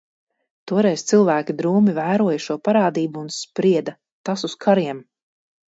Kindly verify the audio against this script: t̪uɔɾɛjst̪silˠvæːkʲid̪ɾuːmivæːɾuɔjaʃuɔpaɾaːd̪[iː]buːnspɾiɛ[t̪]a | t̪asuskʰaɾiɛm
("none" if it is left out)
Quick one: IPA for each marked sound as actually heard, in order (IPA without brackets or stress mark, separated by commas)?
iː, d̪